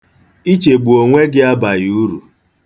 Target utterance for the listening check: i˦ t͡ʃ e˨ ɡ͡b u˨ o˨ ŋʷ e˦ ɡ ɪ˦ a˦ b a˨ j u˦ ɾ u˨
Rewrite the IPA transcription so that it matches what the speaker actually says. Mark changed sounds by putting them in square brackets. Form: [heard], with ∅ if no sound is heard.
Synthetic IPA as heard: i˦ t͡ʃ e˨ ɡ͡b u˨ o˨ ŋʷ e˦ ɡ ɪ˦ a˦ b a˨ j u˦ ɾ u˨

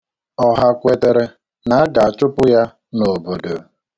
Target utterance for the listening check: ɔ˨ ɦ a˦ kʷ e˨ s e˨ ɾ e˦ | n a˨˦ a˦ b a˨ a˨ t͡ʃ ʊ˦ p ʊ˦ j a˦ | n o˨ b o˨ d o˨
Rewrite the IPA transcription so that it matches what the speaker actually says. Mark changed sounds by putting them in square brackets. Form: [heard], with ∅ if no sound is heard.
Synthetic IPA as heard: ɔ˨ ɦ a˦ kʷ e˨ [t] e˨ ɾ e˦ | n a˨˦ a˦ [ɡ] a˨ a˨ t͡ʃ ʊ˦ p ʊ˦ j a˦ | n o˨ b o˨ d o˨

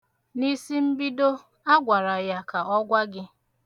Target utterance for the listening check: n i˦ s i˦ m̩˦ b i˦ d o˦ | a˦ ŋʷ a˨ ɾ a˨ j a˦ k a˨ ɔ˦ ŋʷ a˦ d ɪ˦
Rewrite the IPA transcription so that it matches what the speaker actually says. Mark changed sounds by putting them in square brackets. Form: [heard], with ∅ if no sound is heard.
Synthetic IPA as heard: n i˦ s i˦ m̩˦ b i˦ d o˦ | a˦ [ɡʷ] a˨ ɾ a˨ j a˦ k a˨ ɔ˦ [ɡʷ] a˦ [ɡ] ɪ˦

